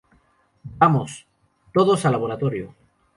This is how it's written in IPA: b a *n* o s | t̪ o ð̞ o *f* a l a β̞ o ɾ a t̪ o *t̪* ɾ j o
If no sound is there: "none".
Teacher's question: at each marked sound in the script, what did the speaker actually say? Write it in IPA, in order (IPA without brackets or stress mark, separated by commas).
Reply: m, s, none